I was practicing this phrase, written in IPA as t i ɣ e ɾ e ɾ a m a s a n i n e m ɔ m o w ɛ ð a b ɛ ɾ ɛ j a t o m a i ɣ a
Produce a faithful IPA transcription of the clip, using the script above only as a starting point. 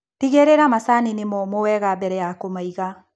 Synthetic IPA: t i ɣ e ɾ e ɾ a m a s a n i n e m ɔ m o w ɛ ɣ a b ɛ ɾ ɛ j a k o m a i ɣ a